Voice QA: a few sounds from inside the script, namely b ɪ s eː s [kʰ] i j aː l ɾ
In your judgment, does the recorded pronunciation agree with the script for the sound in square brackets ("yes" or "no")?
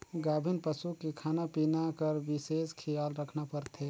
yes